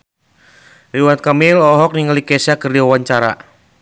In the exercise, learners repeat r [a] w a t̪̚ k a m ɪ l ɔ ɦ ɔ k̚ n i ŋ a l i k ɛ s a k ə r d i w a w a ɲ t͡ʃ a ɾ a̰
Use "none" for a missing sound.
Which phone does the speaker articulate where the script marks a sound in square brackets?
i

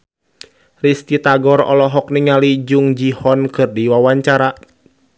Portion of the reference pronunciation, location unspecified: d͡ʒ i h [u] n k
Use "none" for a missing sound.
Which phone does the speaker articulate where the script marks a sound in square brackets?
ɔ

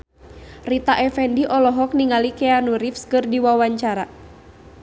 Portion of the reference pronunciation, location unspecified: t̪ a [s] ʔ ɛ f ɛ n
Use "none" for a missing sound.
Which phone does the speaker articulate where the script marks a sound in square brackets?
none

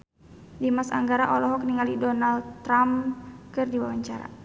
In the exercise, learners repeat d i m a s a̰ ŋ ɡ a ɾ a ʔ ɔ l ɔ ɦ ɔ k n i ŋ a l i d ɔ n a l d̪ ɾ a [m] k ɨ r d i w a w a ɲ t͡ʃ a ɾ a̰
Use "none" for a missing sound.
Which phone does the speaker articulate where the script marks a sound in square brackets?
m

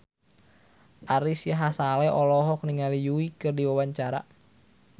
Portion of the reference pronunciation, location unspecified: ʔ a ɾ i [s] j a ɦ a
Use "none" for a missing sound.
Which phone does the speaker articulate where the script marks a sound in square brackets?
s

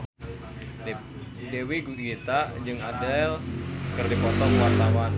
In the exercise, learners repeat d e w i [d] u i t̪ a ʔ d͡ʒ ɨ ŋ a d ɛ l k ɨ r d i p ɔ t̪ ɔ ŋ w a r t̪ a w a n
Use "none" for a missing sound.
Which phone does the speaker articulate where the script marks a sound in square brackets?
ɡ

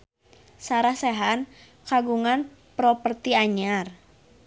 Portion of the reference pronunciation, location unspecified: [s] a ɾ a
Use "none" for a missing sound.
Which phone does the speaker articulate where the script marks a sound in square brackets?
s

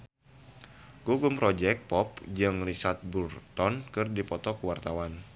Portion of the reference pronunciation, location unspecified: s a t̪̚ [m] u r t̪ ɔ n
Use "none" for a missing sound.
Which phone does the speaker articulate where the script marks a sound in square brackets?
b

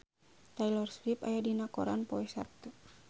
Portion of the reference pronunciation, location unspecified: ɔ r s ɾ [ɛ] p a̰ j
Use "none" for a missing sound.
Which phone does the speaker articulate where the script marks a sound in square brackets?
i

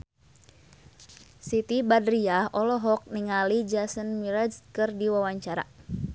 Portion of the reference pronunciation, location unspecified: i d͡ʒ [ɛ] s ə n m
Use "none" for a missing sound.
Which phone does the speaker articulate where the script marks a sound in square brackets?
a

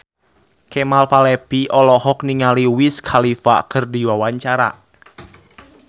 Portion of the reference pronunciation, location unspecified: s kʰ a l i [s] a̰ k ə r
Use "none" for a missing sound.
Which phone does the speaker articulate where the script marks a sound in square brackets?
f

